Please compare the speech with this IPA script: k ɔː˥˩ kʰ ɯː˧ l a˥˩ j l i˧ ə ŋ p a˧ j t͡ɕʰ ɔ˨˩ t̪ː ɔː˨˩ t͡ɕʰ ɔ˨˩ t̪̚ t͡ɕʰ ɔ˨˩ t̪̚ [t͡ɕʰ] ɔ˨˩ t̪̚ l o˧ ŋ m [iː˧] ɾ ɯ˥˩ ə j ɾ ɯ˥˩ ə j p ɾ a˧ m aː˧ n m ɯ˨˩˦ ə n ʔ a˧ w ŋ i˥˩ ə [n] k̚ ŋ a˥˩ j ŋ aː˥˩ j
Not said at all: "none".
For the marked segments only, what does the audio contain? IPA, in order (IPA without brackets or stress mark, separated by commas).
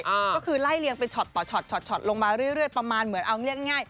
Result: t͡ɕʰ, aː˧, none